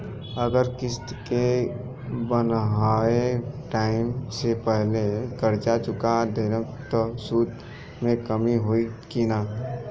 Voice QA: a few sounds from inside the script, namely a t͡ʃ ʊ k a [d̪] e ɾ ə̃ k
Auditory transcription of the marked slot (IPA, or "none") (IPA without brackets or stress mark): d̪